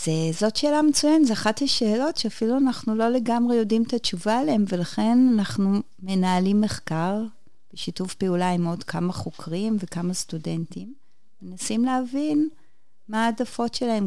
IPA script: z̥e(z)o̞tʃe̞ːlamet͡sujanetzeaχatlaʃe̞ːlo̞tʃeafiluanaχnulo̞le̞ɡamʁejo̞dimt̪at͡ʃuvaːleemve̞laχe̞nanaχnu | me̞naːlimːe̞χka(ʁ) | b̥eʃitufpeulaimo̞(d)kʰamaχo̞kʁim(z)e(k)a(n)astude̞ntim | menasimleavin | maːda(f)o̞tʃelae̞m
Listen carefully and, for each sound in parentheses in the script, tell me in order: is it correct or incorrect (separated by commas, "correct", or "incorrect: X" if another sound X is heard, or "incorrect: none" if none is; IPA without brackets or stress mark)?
correct, correct, correct, incorrect: v, correct, incorrect: m, correct